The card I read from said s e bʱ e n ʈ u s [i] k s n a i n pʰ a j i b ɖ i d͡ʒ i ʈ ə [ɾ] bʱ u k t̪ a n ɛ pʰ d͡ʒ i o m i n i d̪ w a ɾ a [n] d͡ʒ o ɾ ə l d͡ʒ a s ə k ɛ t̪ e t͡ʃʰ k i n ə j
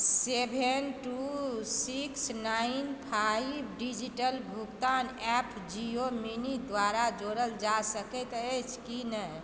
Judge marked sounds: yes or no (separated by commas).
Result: yes, no, no